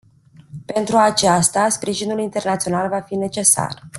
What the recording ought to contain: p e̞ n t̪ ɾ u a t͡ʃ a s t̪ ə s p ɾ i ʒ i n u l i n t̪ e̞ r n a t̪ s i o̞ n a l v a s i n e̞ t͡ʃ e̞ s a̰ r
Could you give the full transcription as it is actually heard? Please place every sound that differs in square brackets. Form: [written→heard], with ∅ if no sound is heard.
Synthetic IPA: p e̞ n t̪ ɾ u a t͡ʃ a s t̪ [ə→a] s p ɾ i ʒ i n u l i n t̪ e̞ r n a t̪ s i o̞ n a l v a [s→f] i n e̞ t͡ʃ e̞ s a̰ r